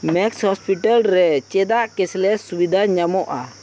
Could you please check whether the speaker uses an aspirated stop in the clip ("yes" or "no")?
no